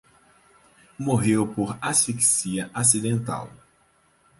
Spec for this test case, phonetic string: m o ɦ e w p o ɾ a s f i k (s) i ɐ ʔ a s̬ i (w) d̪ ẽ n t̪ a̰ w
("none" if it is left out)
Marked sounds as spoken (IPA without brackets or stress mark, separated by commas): s, none